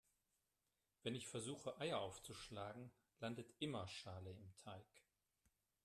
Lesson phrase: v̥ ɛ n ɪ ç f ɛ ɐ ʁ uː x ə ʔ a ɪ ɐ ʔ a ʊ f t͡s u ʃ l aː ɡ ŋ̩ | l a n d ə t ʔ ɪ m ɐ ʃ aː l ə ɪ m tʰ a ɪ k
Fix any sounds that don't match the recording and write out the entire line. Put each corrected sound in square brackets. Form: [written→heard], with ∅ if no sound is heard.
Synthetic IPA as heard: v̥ ɛ n ɪ ç f ɛ ɐ [ʁ→z] uː x ə ʔ a ɪ ɐ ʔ a ʊ f t͡s u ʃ l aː ɡ ŋ̩ | l a n d ə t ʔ ɪ m ɐ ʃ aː l ə ɪ m tʰ a ɪ k